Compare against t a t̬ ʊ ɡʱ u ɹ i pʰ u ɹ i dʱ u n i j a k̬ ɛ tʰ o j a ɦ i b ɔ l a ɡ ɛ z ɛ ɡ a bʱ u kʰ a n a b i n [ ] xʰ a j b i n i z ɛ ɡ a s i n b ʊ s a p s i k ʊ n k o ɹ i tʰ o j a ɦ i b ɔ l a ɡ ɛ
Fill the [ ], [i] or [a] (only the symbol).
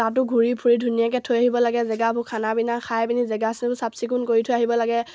a